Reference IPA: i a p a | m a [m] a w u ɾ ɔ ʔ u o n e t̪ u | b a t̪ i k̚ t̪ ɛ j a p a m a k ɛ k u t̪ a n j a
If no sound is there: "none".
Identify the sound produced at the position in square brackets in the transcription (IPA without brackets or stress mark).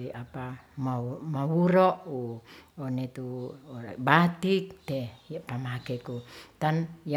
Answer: m